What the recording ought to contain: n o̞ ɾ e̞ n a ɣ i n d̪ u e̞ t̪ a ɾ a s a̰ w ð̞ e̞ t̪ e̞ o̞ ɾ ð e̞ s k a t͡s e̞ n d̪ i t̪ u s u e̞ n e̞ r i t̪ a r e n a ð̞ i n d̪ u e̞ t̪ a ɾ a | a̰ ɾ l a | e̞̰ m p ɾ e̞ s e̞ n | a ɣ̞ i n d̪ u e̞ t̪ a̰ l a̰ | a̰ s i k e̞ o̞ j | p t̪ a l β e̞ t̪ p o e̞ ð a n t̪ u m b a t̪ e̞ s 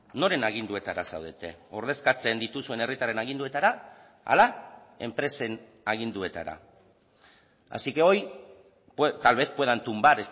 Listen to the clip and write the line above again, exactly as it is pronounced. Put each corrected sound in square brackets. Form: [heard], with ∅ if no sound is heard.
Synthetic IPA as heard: n o̞ ɾ e̞ n a ɣ i n d̪ u e̞ t̪ a ɾ a s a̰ w ð̞ e̞ t̪ e̞ o̞ ɾ ð e̞ s k a t͡s e̞ n d̪ i t̪ u s u e̞ n e̞ r i t̪ a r e n a [ɣ̞] i n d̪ u e̞ t̪ a ɾ a | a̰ [∅] l a | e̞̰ m p ɾ e̞ s e̞ n | a ɣ̞ i n d̪ u e̞ t̪ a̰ [ɾ] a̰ | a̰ s i k e̞ o̞ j | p t̪ a l β e̞ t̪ p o e̞ ð a n t̪ u m b a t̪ e̞ s